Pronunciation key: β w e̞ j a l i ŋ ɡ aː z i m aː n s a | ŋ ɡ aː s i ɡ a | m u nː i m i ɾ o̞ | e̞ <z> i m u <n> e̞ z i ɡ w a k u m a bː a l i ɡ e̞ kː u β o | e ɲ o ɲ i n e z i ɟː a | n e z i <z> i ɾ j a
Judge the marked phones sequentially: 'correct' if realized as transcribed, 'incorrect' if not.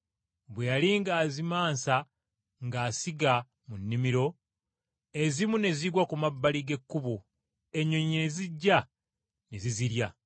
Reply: correct, correct, correct

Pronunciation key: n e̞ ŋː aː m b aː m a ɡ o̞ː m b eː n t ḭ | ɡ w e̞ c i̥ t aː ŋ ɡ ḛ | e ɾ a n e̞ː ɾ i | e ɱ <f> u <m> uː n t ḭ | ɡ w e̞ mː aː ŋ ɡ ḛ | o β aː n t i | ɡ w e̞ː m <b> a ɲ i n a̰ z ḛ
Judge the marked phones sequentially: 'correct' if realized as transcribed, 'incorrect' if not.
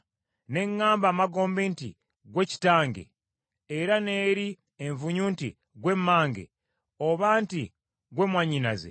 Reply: incorrect, incorrect, incorrect

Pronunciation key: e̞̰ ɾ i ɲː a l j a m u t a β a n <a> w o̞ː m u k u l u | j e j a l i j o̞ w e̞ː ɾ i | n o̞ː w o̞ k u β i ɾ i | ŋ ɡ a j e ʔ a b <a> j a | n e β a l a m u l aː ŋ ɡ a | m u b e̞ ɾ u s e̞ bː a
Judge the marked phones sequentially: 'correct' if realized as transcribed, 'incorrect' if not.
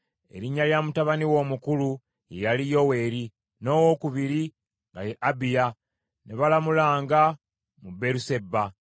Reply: incorrect, incorrect

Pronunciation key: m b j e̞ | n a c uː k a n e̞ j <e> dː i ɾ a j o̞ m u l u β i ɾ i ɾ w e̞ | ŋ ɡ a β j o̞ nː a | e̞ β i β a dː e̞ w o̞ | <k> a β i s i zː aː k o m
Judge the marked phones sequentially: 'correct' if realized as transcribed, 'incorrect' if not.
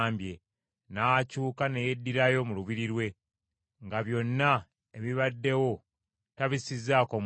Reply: correct, incorrect

